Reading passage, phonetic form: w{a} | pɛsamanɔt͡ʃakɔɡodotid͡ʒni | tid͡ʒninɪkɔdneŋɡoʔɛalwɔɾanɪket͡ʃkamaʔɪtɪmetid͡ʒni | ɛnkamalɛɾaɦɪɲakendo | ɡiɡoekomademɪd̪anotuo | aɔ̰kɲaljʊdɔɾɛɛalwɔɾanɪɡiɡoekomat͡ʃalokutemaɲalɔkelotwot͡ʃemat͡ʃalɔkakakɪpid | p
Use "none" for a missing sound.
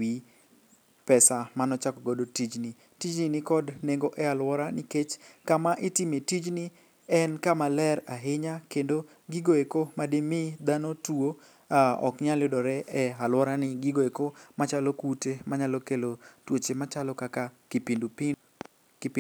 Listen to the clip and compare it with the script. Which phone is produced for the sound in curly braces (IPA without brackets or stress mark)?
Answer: i